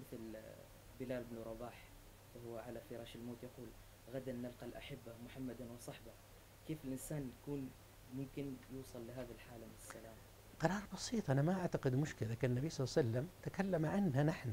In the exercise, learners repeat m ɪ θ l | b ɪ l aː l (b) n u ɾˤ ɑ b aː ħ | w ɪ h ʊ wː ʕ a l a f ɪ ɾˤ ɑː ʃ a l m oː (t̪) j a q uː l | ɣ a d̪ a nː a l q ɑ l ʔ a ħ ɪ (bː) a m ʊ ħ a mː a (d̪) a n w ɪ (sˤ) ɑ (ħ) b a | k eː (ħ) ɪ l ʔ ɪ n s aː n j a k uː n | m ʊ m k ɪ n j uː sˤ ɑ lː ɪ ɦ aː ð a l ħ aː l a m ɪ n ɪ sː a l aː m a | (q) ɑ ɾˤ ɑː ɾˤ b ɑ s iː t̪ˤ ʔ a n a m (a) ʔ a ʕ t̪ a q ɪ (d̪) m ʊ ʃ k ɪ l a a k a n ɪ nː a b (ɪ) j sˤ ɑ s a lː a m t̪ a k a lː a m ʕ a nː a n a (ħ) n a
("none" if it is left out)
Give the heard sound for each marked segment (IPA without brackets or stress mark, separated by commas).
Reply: b, t̪, bː, d̪, sˤ, ħ, f, q, a, d̪, i, ħ